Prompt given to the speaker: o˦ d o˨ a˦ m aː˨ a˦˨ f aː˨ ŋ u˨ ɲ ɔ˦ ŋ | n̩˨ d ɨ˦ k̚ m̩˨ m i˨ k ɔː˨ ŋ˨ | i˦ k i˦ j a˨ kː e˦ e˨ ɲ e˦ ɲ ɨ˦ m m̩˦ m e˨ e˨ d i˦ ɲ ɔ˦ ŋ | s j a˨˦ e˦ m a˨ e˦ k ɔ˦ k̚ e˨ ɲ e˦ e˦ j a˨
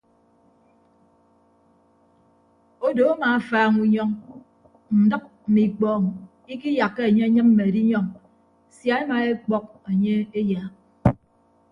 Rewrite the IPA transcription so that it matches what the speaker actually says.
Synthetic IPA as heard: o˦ d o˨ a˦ m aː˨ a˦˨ f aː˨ ŋ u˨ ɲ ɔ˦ ŋ | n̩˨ d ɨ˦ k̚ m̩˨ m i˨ k͡p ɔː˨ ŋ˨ | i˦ k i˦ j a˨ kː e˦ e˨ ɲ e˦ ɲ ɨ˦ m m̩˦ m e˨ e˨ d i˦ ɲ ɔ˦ ŋ | s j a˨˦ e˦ m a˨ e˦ k͡p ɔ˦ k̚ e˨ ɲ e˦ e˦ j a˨